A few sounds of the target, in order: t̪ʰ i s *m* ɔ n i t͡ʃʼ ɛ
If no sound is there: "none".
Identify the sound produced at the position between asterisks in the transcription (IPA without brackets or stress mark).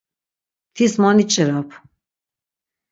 m